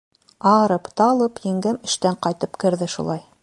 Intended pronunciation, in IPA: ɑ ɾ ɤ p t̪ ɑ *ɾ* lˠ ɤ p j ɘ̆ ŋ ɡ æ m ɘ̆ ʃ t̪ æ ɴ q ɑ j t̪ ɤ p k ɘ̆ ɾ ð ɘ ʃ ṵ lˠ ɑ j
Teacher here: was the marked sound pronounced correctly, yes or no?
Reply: no